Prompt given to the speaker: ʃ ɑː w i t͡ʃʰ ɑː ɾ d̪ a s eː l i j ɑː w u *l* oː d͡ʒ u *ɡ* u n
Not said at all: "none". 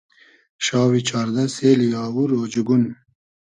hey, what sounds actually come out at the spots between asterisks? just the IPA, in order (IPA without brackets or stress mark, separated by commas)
ɾ, ɡ